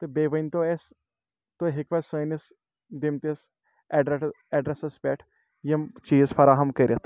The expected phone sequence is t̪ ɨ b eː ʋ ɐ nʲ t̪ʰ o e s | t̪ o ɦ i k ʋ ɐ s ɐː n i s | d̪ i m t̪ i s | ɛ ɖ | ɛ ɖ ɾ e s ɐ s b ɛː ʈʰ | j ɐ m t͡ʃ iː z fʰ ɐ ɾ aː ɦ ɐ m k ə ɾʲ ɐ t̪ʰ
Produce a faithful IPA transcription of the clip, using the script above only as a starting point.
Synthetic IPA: t̪ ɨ b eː ʋ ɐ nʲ t̪ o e s | t̪ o ɦ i k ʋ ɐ s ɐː n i s | d̪ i m t̪ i s | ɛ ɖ | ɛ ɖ ɾ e s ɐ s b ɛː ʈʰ | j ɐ m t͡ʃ iː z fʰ ɐ ɾ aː ɦ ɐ m k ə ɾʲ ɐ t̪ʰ